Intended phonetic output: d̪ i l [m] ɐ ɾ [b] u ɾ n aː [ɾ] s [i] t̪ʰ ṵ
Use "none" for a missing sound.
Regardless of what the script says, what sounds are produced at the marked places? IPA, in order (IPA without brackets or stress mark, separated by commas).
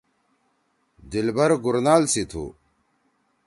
b, ɡ, l, i